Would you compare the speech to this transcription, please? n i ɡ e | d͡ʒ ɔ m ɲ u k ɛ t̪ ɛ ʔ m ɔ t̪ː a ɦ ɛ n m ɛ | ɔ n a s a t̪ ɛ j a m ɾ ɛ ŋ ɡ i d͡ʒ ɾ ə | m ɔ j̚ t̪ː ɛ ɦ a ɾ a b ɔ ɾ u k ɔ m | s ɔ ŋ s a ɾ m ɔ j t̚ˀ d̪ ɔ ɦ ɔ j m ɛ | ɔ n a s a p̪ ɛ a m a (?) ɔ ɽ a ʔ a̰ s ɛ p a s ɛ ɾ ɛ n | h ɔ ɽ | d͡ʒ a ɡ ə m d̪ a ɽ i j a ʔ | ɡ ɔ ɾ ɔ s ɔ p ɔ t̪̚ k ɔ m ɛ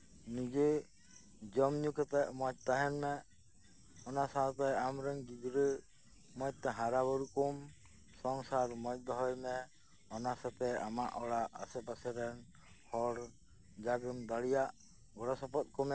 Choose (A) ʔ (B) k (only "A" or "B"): A